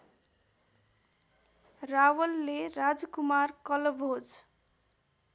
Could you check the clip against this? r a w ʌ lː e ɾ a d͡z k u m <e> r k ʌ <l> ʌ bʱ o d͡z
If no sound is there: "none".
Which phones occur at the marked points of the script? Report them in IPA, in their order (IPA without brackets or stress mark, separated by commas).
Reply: a, l